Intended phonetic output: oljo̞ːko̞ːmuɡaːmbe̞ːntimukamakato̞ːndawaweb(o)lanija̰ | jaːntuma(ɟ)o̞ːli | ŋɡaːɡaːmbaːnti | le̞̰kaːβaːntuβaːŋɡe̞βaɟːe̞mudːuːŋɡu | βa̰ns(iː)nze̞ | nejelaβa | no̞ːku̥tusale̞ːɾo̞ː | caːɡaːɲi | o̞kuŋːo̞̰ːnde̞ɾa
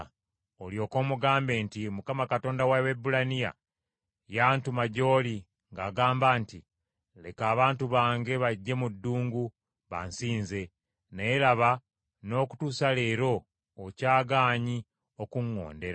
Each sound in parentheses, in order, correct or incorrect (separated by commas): incorrect, correct, correct